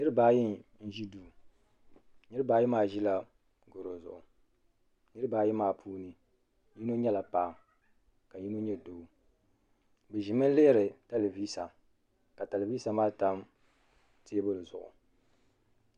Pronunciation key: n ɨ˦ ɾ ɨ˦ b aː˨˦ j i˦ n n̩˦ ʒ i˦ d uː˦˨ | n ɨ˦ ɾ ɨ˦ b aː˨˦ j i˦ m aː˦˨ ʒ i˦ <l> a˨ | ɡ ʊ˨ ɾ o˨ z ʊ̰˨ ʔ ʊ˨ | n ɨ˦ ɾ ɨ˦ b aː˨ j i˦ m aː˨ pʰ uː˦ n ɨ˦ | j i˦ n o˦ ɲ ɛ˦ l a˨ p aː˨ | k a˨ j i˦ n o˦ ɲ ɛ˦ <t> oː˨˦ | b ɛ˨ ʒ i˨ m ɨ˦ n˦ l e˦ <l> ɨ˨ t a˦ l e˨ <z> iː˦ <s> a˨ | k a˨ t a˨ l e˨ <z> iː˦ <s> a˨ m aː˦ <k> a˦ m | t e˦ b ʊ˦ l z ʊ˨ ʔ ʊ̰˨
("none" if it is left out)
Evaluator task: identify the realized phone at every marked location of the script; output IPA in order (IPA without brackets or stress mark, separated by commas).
l, d, ɾ, v, s, v, s, t